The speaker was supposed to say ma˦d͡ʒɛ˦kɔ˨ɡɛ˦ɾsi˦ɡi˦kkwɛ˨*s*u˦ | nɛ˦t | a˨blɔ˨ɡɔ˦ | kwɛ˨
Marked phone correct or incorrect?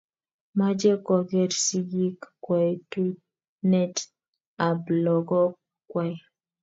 incorrect